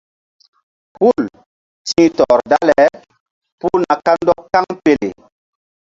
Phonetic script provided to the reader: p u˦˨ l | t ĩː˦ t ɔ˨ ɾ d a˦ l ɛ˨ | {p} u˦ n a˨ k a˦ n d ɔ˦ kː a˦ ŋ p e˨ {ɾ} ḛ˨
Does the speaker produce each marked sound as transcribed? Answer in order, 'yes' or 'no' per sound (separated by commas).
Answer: yes, no